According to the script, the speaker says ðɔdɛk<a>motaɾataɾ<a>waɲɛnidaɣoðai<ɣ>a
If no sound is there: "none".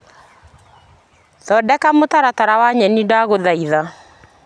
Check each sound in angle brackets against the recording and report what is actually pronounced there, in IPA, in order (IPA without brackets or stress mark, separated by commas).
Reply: a, a, ð